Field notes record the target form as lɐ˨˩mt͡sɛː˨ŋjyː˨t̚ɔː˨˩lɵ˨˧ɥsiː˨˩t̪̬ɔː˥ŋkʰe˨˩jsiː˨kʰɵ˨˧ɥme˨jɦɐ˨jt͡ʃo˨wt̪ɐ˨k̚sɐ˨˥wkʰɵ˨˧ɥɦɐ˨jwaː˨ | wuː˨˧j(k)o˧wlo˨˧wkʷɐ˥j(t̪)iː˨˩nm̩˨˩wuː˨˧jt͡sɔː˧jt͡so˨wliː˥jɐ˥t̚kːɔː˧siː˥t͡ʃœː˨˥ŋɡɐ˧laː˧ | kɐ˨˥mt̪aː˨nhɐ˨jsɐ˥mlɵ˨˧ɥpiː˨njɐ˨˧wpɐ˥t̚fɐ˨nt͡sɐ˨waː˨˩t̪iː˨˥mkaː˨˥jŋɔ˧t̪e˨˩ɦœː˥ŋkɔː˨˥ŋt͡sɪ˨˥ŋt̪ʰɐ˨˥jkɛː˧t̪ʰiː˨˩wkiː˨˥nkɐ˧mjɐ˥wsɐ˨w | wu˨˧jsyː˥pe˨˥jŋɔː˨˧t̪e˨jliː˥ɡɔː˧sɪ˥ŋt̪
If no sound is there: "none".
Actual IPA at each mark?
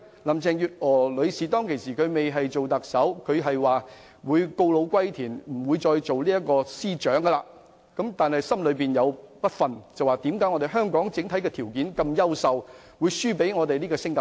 k, t̪ʰ

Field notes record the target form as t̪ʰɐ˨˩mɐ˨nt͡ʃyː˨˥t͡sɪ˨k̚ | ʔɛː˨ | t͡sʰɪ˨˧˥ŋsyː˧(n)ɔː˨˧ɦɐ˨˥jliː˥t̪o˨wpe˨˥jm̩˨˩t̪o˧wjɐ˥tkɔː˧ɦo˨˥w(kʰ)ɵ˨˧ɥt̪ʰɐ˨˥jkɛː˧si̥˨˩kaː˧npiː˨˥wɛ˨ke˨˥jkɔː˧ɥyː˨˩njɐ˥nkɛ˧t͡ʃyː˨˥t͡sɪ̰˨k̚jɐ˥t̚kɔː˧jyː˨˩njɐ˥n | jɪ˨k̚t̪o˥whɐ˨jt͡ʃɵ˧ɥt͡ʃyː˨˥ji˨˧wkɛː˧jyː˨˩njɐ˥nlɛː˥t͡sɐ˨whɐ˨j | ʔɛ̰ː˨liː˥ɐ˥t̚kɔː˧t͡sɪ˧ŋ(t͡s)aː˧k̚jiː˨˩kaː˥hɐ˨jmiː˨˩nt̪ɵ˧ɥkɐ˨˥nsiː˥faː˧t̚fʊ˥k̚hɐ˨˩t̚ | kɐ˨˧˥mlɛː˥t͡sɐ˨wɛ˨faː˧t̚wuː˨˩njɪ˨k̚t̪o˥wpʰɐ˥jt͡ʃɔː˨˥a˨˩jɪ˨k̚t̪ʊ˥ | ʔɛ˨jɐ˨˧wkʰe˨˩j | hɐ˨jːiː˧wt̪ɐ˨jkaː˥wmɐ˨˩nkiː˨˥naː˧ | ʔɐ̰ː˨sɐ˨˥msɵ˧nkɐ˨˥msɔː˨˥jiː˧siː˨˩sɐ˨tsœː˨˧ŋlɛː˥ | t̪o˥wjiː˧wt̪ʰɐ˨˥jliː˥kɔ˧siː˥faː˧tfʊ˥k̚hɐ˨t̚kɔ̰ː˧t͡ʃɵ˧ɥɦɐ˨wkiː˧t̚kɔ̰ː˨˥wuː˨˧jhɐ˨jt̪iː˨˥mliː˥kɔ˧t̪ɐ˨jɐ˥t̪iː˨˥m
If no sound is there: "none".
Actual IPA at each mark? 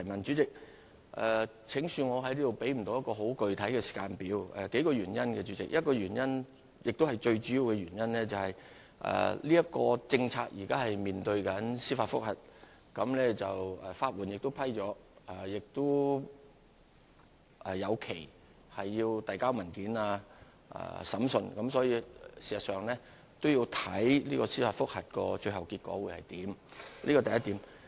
ŋ, k, t͡sʰ

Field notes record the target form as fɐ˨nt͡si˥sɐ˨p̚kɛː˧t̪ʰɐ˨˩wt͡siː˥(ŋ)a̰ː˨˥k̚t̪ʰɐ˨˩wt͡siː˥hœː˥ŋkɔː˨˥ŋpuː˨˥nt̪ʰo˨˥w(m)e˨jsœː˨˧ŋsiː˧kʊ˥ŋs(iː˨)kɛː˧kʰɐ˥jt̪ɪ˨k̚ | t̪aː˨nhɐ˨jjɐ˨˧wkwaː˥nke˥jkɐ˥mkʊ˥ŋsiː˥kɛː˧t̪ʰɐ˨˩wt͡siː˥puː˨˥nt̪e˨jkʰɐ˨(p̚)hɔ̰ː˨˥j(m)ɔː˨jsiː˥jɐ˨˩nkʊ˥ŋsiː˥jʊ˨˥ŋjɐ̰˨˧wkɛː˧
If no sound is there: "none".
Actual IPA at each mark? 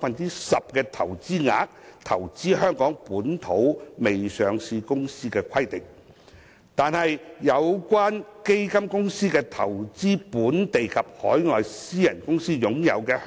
ŋ, m, iː˥, p̚, ŋ

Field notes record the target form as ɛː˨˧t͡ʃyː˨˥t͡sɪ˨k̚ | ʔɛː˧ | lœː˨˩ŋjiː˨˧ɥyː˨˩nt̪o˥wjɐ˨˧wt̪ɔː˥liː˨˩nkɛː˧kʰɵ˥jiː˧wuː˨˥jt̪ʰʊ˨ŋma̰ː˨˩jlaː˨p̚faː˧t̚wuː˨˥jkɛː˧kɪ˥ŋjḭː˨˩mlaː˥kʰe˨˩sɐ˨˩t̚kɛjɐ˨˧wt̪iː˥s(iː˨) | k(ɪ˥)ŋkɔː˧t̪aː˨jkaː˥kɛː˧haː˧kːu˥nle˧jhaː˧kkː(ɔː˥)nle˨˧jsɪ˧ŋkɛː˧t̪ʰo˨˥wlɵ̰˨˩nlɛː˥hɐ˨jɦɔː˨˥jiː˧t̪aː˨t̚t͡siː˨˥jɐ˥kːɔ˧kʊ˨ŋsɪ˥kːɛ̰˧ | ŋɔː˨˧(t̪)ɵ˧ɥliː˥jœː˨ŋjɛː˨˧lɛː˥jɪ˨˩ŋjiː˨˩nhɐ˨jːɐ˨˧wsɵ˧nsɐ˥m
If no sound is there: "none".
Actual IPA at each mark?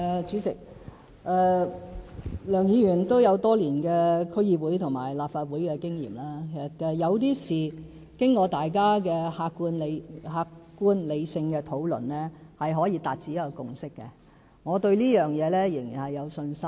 iː˨, ɪ˥, uː˥, t̪

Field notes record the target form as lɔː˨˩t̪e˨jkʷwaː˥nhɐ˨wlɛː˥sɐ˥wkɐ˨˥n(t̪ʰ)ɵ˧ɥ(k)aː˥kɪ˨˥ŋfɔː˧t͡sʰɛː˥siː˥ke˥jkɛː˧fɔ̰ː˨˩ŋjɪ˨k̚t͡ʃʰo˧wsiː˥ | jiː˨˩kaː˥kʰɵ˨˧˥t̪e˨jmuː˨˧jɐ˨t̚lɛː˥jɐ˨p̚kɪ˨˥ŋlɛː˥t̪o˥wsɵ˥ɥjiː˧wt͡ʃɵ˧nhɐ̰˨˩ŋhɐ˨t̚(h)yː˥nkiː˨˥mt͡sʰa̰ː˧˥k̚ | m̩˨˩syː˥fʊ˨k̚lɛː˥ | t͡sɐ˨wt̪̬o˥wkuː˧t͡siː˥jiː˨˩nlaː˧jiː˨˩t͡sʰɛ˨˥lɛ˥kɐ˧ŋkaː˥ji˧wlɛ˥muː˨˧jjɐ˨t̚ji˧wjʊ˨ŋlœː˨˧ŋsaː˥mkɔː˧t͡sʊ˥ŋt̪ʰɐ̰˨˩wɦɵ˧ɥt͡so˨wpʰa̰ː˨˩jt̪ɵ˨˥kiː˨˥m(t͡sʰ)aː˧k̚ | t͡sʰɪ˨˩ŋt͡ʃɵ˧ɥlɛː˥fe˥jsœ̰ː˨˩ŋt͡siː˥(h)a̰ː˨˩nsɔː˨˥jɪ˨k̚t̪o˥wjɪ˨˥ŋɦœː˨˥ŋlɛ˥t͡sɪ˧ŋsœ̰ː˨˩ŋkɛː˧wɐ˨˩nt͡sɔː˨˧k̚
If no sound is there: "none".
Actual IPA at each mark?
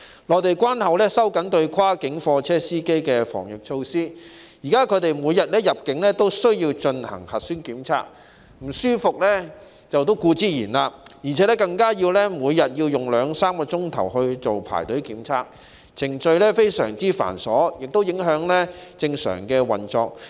t̪, kʰ, s, t͡sʰ, f

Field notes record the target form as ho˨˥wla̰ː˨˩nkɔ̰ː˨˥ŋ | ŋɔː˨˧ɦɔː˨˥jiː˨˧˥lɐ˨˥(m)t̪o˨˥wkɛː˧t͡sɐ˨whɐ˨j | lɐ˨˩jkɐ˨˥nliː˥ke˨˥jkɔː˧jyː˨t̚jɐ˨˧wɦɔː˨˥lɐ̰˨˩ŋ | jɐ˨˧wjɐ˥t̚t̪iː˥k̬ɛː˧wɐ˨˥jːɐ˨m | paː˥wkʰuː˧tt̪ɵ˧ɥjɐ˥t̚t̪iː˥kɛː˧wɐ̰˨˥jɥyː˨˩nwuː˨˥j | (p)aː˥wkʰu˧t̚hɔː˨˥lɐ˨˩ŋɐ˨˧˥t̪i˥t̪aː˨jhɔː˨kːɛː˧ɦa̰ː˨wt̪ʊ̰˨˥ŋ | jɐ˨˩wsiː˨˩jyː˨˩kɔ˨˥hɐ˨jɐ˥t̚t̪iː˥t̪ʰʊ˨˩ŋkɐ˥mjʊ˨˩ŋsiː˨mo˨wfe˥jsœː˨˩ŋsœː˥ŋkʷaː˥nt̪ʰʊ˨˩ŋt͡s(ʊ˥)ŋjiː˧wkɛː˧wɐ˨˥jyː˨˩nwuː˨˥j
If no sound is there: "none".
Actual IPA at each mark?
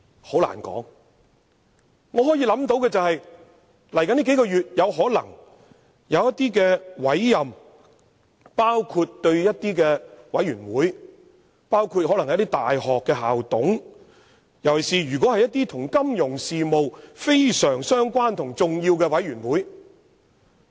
m, p, ʊ˨

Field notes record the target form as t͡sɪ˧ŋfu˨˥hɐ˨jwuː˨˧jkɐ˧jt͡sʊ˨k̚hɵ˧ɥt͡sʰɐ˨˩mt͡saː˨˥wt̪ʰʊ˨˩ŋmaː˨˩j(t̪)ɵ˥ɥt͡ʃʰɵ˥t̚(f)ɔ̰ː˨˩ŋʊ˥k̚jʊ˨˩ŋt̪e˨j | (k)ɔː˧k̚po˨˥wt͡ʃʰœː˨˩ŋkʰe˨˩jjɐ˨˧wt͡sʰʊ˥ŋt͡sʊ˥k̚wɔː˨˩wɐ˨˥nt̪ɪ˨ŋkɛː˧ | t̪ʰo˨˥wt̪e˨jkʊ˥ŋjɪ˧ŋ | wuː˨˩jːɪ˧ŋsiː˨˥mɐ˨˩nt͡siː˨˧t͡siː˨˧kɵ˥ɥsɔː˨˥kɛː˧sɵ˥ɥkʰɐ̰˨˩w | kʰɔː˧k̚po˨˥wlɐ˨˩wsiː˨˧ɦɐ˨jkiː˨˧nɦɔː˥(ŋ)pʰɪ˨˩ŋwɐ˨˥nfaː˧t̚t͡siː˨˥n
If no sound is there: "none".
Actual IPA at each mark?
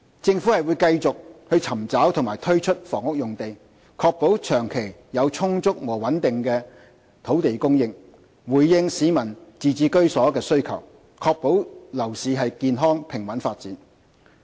t̪ʰ, f, kʰ, ŋ

